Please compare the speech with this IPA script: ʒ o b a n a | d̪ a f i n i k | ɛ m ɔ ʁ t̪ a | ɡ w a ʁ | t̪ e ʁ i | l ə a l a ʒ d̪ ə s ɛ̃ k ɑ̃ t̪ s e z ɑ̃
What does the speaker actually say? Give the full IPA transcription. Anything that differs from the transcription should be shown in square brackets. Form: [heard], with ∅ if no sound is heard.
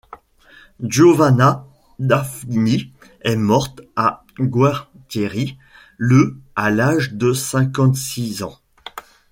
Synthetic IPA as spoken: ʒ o [v] a n a | d̪ a f i n i [∅] | ɛ m ɔ ʁ t̪ a | ɡ w a ʁ | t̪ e ʁ i | l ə a l a ʒ d̪ ə s ɛ̃ k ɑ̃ t̪ s [i] z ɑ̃

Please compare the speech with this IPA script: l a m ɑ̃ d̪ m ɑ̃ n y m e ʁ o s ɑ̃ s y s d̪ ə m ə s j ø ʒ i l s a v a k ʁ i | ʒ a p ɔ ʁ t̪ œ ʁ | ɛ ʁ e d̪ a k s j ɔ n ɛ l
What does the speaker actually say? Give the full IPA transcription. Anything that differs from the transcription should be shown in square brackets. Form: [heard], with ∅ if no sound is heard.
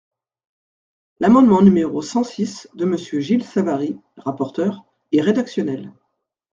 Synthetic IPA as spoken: l a m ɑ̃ d̪ m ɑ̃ n y m e ʁ o s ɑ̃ s [i] s d̪ ə m ə s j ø ʒ i l s a v a [∅] ʁ i | [ʁ] a p ɔ ʁ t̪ œ ʁ | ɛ ʁ e d̪ a k s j ɔ n ɛ l

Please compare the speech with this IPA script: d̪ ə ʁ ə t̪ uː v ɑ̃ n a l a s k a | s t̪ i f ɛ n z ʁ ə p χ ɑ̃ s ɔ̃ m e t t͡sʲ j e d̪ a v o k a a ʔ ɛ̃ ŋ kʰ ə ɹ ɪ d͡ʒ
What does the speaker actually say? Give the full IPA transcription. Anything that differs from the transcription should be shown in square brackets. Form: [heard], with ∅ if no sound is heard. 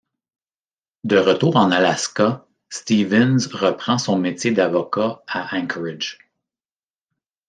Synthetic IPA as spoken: d̪ ə ʁ ə t̪ uː [ʁ] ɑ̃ n a l a s k a | s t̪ i [v] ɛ n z ʁ ə p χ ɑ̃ s ɔ̃ m e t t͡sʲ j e d̪ a v [ɔ] k a a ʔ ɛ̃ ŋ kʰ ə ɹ ɪ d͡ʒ

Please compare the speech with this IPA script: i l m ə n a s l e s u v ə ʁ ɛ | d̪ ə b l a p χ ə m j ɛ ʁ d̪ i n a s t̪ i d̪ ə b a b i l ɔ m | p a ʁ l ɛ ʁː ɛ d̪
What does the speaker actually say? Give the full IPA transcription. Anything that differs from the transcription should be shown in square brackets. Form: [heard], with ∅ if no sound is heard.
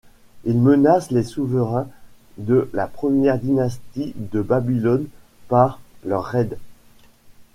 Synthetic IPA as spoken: i l m ə n a s l e s u v ə ʁ [ɛ̃] | d̪ ə [∅] l a p χ ə m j ɛ ʁ d̪ i n a s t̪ i d̪ ə b a b i l ɔ [n] | p a ʁ l [œ] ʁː ɛ d̪

